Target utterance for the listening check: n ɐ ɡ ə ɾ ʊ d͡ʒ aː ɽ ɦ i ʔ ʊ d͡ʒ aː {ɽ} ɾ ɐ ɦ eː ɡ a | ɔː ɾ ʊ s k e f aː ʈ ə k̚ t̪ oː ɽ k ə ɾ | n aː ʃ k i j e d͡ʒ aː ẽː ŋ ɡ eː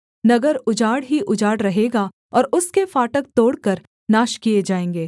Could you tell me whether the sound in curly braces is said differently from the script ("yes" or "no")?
no